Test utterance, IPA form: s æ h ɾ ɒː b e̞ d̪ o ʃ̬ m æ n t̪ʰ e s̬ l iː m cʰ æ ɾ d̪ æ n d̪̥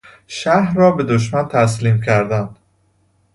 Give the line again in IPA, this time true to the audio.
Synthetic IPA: ʃ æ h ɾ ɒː b e̞ d̪ o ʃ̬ m æ n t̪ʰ æ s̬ l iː m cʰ æ ɾ d̪ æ n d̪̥